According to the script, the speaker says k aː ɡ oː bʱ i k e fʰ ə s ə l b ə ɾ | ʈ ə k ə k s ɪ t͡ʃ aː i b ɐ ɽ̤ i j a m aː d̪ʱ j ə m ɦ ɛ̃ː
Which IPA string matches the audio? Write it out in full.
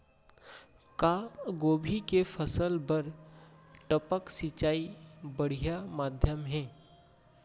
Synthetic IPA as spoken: k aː ɡ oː bʱ i k e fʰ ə s ə l b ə ɾ | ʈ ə p ə k s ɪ t͡ʃ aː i b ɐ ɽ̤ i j a m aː d̪ʱ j ə m ɦ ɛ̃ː